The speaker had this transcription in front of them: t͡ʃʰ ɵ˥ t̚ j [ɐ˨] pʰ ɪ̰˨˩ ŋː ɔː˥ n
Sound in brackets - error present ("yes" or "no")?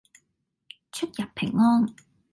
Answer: no